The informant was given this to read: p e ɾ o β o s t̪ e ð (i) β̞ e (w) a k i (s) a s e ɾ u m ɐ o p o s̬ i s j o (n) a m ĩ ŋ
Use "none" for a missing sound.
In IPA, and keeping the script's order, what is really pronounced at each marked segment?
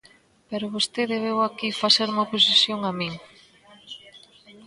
e, w, f, ŋ

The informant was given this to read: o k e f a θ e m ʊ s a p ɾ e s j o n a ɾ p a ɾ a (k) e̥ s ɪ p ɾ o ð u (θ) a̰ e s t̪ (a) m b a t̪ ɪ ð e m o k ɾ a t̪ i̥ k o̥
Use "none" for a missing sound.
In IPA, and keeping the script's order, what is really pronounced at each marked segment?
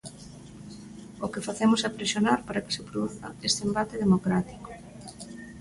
k, θ, e

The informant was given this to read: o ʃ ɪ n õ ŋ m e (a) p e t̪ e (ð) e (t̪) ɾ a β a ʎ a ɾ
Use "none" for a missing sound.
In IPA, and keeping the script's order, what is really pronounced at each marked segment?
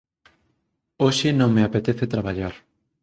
a, θ, t̪

